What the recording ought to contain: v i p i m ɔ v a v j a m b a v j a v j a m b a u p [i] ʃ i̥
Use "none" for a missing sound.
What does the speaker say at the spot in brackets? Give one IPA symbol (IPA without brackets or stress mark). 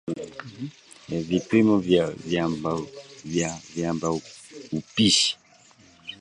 i